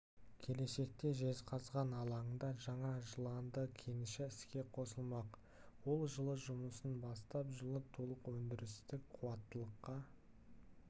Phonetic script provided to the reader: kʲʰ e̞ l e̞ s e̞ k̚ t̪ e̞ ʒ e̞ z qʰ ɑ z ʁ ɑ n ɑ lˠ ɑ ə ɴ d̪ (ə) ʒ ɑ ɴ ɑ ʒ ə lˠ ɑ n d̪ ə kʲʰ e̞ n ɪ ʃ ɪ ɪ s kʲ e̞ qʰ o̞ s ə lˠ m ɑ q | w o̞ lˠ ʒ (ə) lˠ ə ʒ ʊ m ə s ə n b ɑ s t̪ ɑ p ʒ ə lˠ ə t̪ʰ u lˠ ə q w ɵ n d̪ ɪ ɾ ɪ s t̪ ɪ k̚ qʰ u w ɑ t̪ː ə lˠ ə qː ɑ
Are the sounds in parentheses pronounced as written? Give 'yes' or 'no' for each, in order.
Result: no, yes

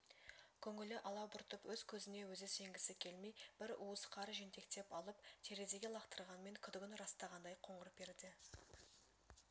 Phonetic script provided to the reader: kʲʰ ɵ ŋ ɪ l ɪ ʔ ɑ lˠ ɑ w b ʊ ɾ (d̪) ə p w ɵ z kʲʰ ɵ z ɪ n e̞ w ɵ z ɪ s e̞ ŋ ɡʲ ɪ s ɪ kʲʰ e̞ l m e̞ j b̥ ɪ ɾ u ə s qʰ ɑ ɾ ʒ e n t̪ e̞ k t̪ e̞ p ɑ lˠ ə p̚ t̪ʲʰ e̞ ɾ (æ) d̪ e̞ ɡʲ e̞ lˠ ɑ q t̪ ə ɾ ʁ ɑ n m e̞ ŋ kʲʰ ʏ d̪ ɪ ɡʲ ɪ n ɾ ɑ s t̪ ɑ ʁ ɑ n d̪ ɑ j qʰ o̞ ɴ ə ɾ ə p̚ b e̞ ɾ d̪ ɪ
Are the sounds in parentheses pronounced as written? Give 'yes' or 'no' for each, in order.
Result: no, no

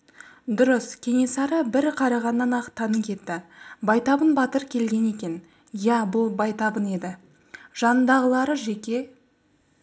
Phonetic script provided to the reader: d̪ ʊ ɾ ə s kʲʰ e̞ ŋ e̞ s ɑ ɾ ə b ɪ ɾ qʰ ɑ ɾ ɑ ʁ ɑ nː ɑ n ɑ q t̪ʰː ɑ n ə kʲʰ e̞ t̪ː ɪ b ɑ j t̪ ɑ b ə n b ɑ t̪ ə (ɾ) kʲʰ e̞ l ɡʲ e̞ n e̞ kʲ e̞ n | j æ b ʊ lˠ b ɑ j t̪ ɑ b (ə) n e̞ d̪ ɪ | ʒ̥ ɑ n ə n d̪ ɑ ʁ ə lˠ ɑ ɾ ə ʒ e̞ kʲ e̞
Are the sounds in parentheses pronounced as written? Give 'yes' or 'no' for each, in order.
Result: yes, yes

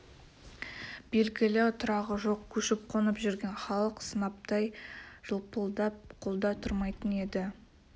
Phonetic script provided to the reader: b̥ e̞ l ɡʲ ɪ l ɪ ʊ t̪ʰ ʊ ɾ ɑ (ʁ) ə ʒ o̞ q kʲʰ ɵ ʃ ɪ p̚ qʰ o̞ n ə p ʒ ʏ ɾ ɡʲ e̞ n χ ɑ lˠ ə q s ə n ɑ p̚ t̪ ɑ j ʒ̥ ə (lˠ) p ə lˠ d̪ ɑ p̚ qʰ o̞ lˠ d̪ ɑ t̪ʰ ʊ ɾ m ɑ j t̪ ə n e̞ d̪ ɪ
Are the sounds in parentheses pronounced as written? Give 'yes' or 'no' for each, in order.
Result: yes, yes

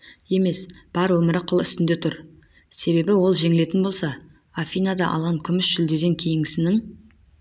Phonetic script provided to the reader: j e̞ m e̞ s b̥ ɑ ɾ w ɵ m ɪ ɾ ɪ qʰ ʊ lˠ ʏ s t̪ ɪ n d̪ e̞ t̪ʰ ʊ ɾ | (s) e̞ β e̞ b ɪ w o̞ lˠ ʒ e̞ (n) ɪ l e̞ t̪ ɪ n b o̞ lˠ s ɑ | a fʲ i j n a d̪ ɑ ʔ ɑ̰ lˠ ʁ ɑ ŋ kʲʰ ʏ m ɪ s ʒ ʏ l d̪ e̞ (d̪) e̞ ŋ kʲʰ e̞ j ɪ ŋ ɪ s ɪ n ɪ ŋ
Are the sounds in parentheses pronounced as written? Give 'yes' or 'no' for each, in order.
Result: yes, no, yes

